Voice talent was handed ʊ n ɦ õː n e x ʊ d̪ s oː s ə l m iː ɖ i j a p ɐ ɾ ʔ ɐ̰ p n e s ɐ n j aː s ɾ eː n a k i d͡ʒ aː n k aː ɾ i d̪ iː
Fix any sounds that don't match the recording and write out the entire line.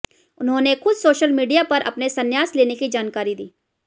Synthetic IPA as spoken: ʊ n ɦ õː n e x ʊ d̪ s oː ʃ ə l m iː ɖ i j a p ɐ ɾ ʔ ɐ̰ p n e s ɐ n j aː s l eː n e k i d͡ʒ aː n k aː ɾ i d̪ iː

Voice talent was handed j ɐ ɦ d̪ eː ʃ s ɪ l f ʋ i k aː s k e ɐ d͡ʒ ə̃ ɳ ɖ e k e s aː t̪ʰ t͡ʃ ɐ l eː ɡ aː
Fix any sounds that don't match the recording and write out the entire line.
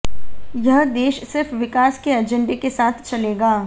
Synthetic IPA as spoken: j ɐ ɦ d̪ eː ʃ s ɪ ɾ f ʋ ɪ k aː s k e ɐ d͡ʒ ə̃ ɳ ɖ e k e s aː t̪ʰ t͡ʃ ɐ l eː ɡ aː

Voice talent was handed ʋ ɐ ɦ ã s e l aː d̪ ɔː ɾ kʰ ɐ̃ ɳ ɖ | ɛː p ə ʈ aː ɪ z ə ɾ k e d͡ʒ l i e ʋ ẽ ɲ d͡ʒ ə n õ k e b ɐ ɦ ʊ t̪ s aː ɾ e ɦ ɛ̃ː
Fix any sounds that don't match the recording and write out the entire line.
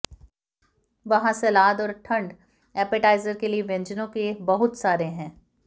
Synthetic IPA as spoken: ʋ ɐ ɦ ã s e l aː d̪ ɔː ɾ ʈʰ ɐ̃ ɳ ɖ | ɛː p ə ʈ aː ɪ z ə ɾ k e l i e ʋ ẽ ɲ d͡ʒ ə n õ k e b ɐ ɦ ʊ t̪ s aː ɾ e ɦ ɛ̃ː

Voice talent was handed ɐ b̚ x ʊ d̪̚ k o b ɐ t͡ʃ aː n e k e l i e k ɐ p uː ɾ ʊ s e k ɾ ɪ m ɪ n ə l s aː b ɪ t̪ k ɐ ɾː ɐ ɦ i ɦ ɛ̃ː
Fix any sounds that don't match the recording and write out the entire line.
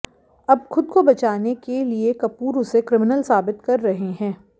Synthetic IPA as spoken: ɐ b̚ x ʊ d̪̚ k o b ɐ t͡ʃ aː n e k e l i e k ɐ p uː ɾ ʊ s e k ɾ ɪ m ɪ n ə l s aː b ɪ t̪ k ɐ ɾː ɐ ɦ e ɦ ɛ̃ː

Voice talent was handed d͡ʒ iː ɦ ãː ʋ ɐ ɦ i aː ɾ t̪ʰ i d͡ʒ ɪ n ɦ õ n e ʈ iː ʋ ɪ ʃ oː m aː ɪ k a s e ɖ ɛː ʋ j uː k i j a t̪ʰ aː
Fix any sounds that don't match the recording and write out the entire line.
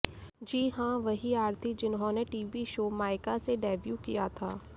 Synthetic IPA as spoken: d͡ʒ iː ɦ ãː ʋ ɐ ɦ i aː ɾ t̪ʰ i d͡ʒ ɪ n ɦ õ n e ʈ iː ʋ i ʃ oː m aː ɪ k a s e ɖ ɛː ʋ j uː k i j a t̪ʰ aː

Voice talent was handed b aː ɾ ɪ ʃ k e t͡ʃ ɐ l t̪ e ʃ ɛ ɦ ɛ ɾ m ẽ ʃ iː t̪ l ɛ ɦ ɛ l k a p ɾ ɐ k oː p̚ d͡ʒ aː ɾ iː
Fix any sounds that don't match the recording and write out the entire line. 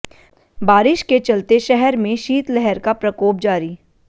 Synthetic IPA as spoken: b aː ɾ ɪ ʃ k e t͡ʃ ɐ l t̪ e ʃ ɛ ɦ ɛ ɾ m ẽ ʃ iː t̪ l ɛ ɦ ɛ ɾ k a p ɾ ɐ k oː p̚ d͡ʒ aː ɾ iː

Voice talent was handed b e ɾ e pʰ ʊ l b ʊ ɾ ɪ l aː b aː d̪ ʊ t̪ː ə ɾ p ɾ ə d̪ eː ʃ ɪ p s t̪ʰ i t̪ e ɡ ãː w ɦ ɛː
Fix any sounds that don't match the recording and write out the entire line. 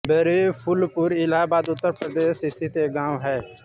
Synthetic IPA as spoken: b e ɾ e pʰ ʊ l p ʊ ɾ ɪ l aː b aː d̪ ʊ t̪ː ə ɾ p ɾ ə d̪ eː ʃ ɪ s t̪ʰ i t̪ e ɡ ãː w ɦ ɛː

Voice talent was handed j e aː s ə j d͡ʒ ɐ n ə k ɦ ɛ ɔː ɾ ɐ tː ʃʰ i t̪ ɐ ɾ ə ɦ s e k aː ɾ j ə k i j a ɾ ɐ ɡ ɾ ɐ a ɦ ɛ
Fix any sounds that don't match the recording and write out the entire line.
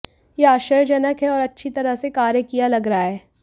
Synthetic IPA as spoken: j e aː ʃ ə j d͡ʒ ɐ n ə k ɦ ɛ ɔː ɾ ɐ tː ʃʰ i t̪ ɐ ɾ ə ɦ s e k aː ɾ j ə k i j a l ɐ ɡ ɾ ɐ a ɦ ɛː

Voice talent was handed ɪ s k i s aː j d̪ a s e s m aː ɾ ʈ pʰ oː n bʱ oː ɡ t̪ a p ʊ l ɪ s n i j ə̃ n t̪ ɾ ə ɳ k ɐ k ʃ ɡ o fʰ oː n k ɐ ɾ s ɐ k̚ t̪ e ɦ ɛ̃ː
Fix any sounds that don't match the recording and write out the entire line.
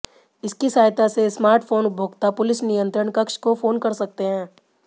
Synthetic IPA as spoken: ɪ s k i s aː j t̪ a s e s m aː ɾ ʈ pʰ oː n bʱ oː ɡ t̪ a p ʊ l ɪ s n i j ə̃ n t̪ ɾ ə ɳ k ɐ k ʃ k o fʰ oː n k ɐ ɾ s ɐ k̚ t̪ e ɦ ɛ̃ː

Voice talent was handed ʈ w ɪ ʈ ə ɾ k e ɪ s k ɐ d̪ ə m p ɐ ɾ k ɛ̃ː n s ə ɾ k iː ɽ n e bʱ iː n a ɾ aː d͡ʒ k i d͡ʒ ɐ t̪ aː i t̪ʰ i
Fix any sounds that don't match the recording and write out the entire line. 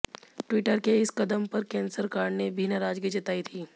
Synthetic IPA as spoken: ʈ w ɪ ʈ ə ɾ k e ɪ s k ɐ d̪ ə m p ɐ ɾ k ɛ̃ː n s ə ɾ k aː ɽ n e bʱ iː n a ɾ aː d͡ʒ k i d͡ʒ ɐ t̪ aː i t̪ʰ iː

